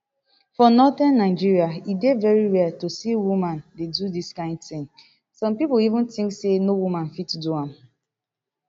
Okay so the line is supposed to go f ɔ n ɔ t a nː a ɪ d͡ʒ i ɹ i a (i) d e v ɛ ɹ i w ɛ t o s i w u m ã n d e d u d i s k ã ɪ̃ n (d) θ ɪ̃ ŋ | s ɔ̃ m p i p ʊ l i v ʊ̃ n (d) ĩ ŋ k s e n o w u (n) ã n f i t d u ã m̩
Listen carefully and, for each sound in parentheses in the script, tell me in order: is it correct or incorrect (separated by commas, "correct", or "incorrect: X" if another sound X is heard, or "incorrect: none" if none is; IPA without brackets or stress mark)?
correct, correct, incorrect: t, incorrect: m